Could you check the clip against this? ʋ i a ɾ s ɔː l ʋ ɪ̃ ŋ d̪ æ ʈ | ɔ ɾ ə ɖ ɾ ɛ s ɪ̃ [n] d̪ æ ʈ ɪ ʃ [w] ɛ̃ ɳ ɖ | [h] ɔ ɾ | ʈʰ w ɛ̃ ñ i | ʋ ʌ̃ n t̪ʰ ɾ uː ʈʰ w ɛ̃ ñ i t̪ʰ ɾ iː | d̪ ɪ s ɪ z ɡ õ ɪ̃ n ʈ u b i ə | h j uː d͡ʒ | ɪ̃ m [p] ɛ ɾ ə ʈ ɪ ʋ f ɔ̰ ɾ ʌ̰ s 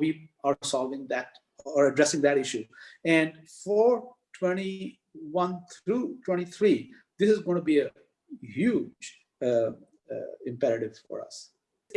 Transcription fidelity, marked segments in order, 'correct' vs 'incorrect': incorrect: ŋ, incorrect: u, incorrect: f, correct

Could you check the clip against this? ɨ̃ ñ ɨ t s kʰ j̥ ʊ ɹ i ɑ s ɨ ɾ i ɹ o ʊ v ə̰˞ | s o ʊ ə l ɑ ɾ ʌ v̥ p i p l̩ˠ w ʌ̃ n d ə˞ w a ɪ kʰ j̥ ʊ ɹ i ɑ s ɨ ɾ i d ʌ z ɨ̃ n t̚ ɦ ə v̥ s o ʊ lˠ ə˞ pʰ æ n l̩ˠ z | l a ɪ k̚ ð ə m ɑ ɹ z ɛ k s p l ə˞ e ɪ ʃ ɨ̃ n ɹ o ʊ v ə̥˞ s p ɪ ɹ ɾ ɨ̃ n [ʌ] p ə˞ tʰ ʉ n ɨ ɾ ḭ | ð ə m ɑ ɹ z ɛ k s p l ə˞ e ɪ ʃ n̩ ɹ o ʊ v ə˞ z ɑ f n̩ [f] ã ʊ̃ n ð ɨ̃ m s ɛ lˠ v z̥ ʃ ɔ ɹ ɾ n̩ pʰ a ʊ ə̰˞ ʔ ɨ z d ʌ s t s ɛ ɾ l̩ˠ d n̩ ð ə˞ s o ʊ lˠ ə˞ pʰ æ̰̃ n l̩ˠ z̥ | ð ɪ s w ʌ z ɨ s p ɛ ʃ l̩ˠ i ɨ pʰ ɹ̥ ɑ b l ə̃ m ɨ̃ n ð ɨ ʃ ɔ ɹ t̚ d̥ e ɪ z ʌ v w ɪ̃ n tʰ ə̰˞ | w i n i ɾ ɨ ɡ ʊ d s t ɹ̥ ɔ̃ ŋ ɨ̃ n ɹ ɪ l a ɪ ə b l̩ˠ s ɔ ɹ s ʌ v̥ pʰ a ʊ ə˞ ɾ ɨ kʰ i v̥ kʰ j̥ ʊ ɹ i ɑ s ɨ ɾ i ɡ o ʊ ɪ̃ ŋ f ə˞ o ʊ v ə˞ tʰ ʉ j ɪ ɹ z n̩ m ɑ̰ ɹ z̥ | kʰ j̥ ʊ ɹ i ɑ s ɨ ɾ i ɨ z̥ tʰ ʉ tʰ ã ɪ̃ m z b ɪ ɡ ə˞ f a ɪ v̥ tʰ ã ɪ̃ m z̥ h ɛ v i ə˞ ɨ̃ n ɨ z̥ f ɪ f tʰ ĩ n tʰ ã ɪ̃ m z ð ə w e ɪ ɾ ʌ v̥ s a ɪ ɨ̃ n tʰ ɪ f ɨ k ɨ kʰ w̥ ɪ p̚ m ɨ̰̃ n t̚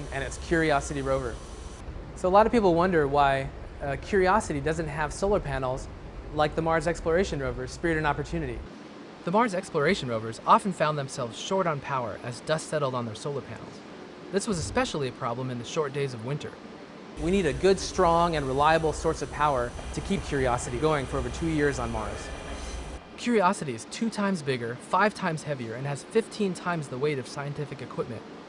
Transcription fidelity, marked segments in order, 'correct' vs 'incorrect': incorrect: ɑ, correct

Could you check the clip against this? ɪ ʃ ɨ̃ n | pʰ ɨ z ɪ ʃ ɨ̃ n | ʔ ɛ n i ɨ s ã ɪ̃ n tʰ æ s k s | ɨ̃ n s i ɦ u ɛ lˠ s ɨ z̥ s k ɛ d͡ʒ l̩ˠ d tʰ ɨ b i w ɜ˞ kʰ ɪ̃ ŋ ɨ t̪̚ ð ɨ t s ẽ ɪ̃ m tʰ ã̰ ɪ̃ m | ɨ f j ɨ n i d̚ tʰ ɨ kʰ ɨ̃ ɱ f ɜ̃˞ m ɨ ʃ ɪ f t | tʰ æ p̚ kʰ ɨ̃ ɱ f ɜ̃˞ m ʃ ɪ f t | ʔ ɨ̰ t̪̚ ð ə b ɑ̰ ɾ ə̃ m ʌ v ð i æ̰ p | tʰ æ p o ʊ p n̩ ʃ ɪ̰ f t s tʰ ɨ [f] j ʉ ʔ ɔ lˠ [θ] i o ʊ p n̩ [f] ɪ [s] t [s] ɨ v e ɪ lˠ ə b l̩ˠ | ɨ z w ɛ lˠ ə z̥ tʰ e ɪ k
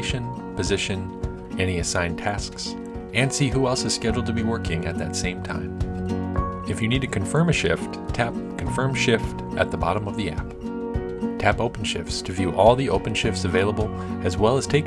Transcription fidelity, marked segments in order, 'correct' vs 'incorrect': incorrect: v, incorrect: ð, incorrect: ʃ, incorrect: f, correct

